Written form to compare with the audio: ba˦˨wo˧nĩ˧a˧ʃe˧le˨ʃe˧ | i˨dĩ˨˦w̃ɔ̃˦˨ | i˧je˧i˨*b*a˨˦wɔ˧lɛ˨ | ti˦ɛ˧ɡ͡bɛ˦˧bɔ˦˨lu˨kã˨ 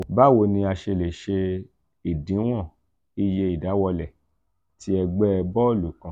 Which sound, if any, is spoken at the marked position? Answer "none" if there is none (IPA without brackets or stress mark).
d